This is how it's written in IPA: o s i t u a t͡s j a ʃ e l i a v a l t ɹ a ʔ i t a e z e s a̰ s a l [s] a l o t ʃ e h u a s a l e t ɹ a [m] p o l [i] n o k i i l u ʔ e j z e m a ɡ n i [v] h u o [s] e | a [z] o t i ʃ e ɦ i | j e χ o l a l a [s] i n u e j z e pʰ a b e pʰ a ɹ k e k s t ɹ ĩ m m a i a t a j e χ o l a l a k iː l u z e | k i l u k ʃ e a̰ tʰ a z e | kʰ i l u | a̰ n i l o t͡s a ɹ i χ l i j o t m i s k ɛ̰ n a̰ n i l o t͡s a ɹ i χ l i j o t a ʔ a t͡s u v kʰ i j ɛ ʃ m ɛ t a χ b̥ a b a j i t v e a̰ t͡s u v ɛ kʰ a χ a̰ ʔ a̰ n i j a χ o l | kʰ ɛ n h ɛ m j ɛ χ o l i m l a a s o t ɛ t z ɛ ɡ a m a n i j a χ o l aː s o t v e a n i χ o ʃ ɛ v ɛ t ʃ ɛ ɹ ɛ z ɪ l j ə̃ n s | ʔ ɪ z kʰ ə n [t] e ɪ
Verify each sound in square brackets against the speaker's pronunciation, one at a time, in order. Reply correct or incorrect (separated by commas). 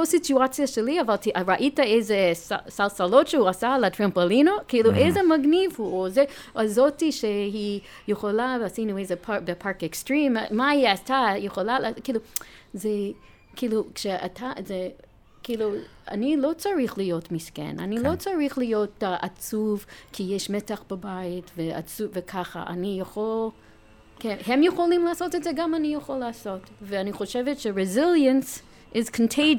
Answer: correct, correct, correct, correct, incorrect, correct, correct, incorrect